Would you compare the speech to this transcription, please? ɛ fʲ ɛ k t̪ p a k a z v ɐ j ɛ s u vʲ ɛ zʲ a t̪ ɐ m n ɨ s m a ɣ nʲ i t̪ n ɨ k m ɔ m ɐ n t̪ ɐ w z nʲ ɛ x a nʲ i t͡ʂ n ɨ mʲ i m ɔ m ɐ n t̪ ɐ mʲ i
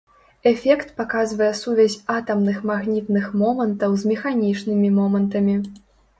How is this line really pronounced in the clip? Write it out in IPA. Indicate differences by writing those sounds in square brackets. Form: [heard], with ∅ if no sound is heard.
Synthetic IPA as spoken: ɛ fʲ ɛ k t̪ p a k a z v ɐ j ɛ s u vʲ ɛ zʲ a t̪ ɐ m n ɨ [x] m a ɣ nʲ i t̪ n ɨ [x] m ɔ m ɐ n t̪ ɐ w z [mʲ] ɛ x a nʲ i t͡ʂ n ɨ mʲ i m ɔ m ɐ n t̪ ɐ mʲ i